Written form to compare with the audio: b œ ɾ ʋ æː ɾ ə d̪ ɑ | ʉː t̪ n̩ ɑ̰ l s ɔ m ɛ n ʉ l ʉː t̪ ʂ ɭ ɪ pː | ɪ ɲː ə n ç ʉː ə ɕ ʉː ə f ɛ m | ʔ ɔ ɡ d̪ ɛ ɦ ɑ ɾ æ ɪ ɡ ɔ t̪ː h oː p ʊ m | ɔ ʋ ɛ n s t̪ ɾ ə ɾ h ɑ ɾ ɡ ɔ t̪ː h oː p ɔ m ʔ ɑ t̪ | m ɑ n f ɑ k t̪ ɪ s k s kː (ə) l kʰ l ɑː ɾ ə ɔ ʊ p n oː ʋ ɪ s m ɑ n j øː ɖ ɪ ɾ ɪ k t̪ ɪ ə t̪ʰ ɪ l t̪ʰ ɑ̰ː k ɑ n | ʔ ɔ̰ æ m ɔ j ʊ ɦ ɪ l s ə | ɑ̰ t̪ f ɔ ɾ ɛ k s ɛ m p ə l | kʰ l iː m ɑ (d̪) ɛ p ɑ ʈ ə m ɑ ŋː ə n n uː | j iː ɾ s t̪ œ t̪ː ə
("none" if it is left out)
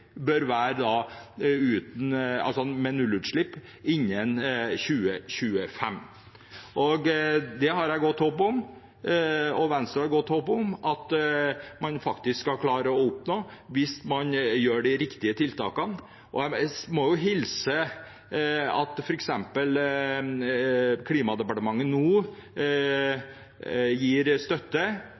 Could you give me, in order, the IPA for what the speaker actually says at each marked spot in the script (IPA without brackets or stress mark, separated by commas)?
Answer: ɑ, d̪